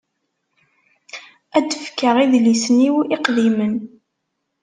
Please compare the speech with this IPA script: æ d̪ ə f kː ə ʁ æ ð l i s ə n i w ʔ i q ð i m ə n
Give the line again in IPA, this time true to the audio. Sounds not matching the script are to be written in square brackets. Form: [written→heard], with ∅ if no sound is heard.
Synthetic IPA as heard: æ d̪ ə f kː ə ʁ [æ→i] ð l i s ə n i w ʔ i q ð i m ə n